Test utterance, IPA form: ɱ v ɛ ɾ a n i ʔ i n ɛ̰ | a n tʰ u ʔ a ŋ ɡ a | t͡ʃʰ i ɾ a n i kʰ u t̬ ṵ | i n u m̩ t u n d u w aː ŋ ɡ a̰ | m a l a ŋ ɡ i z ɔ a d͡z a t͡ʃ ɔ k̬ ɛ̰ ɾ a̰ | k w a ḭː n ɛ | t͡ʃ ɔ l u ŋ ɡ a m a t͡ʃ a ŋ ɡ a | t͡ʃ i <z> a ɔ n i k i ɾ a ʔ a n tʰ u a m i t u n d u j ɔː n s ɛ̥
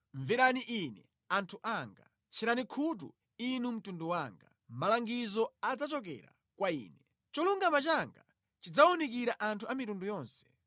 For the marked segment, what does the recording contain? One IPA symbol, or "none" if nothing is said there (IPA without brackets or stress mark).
d͡z